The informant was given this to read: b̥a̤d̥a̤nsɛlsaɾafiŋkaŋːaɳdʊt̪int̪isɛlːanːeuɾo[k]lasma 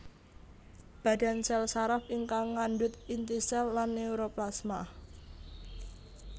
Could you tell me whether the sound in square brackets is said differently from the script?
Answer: yes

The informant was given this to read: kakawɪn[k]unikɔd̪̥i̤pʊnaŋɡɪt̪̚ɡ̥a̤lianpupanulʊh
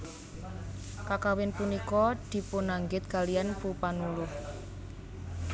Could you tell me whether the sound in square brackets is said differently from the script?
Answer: yes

